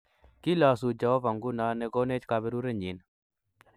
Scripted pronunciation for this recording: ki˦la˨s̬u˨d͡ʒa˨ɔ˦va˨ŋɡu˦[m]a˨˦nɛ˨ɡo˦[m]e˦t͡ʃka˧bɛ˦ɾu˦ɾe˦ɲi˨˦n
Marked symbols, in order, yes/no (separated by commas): no, no